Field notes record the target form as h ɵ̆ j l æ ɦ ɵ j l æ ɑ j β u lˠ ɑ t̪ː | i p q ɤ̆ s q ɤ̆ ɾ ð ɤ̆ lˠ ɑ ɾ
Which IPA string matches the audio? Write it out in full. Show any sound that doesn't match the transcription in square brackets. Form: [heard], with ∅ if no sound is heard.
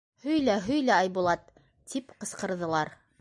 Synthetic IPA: h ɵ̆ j l æ ɦ ɵ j l æ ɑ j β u lˠ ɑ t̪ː | i p q ɤ̆ s q ɤ̆ ɾ ð ɤ̆ lˠ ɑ ɾ

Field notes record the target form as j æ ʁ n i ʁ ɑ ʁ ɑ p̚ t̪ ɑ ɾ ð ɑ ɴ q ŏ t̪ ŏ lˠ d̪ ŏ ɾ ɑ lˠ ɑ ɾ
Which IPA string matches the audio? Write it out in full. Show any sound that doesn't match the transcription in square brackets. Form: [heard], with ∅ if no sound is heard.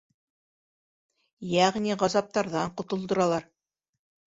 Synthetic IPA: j æ ʁ n i ʁ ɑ [z] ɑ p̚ t̪ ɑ ɾ ð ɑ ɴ q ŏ t̪ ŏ lˠ d̪ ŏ ɾ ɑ lˠ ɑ ɾ

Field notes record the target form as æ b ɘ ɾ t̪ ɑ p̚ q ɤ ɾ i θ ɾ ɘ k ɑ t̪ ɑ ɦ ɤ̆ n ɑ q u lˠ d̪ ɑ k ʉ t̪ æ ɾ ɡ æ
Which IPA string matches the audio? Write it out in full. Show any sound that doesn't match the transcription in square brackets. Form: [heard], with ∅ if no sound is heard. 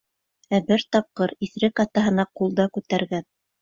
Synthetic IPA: æ b ɘ ɾ t̪ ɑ p̚ q ɤ ɾ i θ ɾ ɘ k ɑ t̪ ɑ ɦ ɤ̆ n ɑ q u lˠ d̪ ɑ k ʉ t̪ æ ɾ ɡ æ

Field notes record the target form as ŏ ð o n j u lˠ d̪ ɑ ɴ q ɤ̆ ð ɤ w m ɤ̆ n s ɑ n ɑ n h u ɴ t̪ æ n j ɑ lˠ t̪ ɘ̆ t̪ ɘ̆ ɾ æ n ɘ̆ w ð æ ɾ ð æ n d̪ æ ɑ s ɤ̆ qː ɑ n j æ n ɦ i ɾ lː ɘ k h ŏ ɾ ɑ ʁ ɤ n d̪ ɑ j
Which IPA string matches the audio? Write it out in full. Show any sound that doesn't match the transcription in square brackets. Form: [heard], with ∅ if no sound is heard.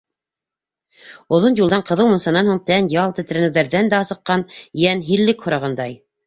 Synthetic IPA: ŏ ð o n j u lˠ d̪ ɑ ɴ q ɤ̆ ð ɤ w m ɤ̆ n s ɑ n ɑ n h u ɴ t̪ æ n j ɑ lˠ t̪ ɘ̆ t̪ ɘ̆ ɾ æ n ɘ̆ w ð æ ɾ ð æ n d̪ æ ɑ s ɤ̆ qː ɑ n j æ n ɦ i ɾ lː ɘ k h ŏ ɾ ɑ ʁ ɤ n d̪ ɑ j

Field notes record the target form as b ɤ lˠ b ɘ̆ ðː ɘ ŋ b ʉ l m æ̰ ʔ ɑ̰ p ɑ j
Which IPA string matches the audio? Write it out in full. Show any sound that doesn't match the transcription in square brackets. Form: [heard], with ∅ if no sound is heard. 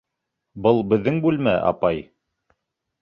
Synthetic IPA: b ɤ lˠ b ɘ̆ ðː ɘ ŋ b ʉ l m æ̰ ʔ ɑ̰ p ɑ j

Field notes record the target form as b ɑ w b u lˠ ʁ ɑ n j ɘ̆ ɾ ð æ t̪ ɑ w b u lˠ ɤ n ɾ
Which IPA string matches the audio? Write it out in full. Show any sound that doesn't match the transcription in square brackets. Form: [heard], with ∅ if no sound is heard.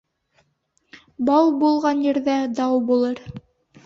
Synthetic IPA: b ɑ w b u lˠ ʁ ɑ n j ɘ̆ ɾ ð æ [d̪] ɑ w b u lˠ ɤ [∅] ɾ

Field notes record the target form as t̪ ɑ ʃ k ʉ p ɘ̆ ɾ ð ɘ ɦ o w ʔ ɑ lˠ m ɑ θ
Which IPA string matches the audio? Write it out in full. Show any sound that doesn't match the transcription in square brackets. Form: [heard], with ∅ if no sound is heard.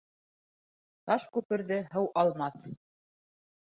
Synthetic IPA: t̪ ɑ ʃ k ʉ p ɘ̆ ɾ ð ɘ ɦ [ɤ] w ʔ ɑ lˠ m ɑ θ

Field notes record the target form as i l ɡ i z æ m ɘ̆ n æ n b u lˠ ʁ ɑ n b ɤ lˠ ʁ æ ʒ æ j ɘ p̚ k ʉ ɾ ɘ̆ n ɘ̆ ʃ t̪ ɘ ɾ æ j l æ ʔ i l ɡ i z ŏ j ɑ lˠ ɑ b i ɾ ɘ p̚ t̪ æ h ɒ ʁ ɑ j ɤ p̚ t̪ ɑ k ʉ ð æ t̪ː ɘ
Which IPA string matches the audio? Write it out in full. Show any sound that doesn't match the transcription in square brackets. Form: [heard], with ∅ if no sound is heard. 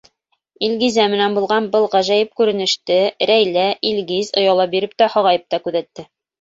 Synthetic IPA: i l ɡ i z æ m ɘ̆ n æ n b u lˠ ʁ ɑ n b ɤ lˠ ʁ æ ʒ æ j ɘ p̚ k ʉ ɾ ɘ̆ n ɘ̆ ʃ t̪ ɘ ɾ æ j l æ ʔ i l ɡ i z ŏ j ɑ lˠ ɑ b i ɾ ɘ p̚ t̪ æ h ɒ ʁ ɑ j ɤ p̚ t̪ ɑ k ʉ ð æ t̪ː ɘ

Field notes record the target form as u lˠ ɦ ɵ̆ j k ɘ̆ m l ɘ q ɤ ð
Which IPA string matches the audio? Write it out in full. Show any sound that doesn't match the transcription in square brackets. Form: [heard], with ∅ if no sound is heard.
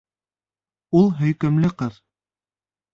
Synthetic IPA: u lˠ ɦ ɵ̆ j k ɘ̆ m l ɘ q ɤ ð

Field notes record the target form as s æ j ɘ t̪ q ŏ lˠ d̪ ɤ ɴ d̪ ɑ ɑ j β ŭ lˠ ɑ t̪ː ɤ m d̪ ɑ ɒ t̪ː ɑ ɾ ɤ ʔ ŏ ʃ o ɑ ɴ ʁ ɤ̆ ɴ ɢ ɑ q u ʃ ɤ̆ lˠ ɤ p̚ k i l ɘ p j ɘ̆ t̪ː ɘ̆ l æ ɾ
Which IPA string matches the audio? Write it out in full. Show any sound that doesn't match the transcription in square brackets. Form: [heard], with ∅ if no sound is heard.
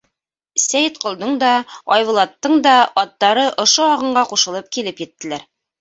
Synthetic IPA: s æ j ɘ t̪ q ŏ lˠ d̪ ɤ ɴ d̪ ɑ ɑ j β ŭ lˠ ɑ t̪ː ɤ [ɴ] d̪ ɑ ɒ t̪ː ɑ ɾ ɤ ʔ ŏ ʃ o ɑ [∅] ʁ ɤ̆ ɴ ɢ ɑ q u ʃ ɤ̆ lˠ ɤ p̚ k i l ɘ p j ɘ̆ t̪ː ɘ̆ l æ ɾ

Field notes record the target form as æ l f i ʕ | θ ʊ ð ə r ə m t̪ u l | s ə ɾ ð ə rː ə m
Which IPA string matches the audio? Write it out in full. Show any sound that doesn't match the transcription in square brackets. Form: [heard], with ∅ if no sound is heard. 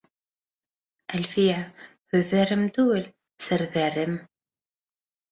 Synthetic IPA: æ l f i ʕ | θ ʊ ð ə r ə m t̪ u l | s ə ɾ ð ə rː ə m

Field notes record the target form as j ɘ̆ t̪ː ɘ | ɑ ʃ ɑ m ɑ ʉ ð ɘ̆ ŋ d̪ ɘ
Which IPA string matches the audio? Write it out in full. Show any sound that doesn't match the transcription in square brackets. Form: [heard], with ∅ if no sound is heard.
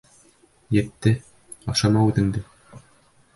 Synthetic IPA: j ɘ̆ t̪ː ɘ | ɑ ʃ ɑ m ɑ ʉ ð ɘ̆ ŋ d̪ ɘ

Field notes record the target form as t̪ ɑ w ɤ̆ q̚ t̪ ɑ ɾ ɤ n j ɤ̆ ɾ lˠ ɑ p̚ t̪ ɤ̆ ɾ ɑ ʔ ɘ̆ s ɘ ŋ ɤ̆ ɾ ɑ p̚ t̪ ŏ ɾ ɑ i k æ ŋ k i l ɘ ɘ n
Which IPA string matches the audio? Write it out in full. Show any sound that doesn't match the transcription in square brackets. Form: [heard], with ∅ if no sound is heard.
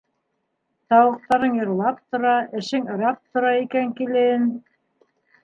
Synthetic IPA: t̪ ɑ w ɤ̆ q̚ t̪ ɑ ɾ ɤ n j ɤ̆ ɾ lˠ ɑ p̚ t̪ [ŏ] ɾ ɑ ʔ ɘ̆ [ʃ] ɘ ŋ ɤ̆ ɾ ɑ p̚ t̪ ŏ ɾ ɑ i k æ ŋ k i l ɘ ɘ n

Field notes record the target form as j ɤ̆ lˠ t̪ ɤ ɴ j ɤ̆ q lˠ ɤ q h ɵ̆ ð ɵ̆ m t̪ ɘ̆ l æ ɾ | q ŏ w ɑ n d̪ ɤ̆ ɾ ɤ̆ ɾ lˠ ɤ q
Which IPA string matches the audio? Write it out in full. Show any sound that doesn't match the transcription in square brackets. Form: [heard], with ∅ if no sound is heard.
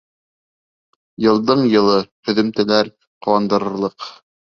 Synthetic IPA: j ɤ̆ lˠ [d̪] ɤ ɴ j ɤ̆ [∅] lˠ ɤ [∅] h ɵ̆ ð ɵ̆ m t̪ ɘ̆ l æ ɾ | q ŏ w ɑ n d̪ ɤ̆ ɾ ɤ̆ ɾ lˠ ɤ q

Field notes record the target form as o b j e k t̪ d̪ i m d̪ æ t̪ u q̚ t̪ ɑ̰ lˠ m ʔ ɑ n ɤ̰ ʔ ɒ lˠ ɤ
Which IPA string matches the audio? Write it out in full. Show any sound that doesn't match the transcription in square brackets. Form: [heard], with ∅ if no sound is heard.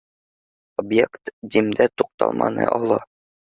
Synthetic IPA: o b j e k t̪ d̪ i m d̪ æ t̪ u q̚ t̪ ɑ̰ lˠ m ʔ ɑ n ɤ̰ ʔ ɒ lˠ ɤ

